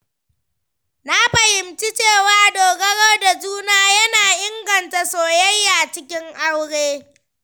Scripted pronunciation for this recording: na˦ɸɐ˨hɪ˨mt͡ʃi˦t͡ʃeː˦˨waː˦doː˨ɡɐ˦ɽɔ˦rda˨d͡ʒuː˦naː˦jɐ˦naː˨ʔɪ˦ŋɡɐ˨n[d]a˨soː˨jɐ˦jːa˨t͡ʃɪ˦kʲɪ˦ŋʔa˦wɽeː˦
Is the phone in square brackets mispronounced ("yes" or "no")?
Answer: yes